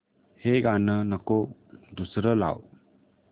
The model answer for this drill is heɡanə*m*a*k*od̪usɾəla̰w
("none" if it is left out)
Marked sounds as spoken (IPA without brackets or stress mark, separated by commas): n, k